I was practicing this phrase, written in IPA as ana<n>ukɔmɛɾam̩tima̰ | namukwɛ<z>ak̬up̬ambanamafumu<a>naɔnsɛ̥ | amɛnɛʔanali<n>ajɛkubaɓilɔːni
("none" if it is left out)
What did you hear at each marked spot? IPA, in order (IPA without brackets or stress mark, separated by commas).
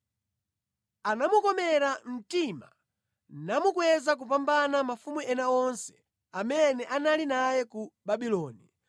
m, z, ɛ, n